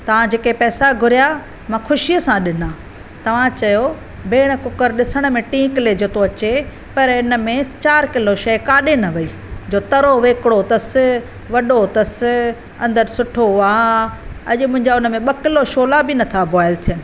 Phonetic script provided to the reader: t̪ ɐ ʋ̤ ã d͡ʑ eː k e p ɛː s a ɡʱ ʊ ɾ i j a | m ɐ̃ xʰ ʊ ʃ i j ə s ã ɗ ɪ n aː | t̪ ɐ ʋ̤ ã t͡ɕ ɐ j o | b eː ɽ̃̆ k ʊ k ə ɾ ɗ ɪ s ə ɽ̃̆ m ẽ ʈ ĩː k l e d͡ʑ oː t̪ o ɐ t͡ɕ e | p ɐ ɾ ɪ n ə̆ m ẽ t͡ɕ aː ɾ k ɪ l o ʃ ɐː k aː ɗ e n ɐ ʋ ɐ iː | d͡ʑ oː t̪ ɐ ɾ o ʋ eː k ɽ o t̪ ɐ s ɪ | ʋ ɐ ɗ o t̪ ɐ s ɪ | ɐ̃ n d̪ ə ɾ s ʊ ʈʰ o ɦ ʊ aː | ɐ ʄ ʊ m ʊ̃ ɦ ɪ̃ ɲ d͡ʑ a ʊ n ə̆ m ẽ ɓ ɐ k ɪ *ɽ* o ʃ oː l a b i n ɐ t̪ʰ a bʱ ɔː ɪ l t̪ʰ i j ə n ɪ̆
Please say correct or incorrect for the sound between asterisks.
incorrect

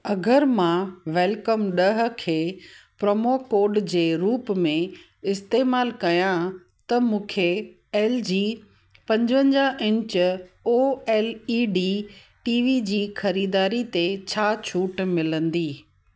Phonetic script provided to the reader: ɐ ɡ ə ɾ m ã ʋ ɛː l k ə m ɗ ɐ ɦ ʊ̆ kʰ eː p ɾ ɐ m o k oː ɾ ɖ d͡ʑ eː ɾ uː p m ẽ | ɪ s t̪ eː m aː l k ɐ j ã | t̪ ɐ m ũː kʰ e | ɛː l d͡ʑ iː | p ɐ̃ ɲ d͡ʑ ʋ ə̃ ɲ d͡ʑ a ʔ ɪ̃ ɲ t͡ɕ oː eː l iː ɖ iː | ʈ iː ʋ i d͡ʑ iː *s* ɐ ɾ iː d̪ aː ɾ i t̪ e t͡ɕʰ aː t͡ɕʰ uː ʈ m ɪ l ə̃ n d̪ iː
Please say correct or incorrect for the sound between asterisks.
incorrect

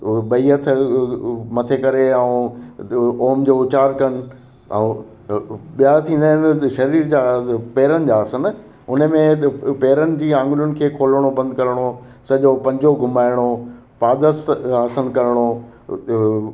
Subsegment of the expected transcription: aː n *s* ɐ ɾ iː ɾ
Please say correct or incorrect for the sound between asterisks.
incorrect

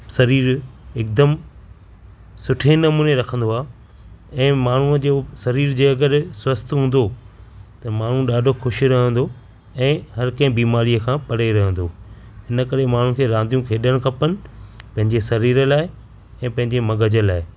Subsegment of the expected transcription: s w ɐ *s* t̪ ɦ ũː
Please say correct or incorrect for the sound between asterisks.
correct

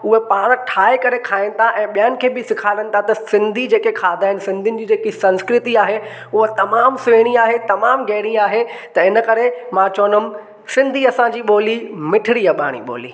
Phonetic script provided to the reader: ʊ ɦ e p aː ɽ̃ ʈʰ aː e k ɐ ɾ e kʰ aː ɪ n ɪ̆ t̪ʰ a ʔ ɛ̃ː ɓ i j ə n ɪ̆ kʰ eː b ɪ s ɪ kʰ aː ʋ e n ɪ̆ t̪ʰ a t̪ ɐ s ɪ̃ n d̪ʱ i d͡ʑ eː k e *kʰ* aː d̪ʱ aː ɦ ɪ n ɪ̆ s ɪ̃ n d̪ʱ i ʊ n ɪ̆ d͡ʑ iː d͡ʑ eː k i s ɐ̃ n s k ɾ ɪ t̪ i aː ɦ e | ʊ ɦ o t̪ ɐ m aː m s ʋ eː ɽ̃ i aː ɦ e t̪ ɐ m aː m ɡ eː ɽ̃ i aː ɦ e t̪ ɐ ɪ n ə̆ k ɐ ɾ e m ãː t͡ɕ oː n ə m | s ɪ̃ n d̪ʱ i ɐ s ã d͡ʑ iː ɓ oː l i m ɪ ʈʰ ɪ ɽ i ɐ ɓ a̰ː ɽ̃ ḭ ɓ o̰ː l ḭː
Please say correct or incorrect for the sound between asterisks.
correct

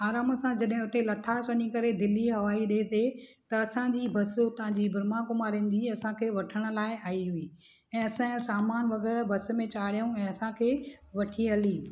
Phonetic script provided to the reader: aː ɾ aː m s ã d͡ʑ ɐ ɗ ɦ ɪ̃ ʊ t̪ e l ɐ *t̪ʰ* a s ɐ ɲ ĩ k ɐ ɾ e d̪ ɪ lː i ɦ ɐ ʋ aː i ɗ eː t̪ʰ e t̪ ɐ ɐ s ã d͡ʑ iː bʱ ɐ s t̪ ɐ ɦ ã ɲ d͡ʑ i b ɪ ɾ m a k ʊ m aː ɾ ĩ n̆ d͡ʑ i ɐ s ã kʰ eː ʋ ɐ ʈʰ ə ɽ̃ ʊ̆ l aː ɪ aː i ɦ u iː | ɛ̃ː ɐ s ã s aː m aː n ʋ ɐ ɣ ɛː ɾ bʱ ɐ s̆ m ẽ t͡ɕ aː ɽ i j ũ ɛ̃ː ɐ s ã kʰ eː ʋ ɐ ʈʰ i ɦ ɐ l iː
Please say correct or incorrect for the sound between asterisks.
correct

